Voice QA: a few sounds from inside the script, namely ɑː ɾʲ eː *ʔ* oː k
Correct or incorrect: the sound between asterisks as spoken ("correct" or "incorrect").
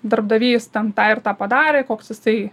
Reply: incorrect